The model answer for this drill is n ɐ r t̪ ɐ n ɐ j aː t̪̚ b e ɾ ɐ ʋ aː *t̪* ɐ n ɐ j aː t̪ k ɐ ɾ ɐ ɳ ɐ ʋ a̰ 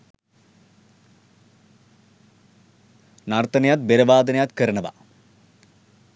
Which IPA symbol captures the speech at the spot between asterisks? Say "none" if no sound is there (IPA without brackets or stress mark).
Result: d̪